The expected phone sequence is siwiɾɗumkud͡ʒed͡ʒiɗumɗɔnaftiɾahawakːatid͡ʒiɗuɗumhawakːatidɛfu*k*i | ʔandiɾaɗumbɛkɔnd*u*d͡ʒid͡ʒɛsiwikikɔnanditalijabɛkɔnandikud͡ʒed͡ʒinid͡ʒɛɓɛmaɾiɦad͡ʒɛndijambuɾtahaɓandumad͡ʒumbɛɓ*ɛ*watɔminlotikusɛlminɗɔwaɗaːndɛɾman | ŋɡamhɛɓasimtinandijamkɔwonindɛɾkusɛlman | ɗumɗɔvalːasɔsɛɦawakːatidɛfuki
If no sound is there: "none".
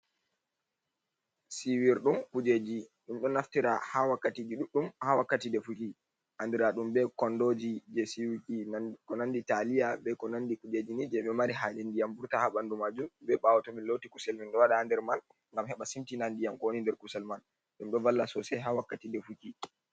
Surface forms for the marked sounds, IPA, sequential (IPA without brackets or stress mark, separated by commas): k, o, a